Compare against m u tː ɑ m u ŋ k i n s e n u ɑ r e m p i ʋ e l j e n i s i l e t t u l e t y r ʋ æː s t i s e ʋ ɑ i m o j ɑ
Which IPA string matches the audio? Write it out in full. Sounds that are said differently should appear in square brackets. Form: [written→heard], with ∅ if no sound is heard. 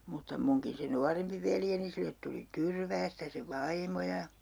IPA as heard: m u tː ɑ m u ŋ k i n s e n u ɑ r e m p i ʋ e l j e n i s i [l→lː] e t t u l [e→i] t y r ʋ æː s t [i→æ] s e ʋ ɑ i m o j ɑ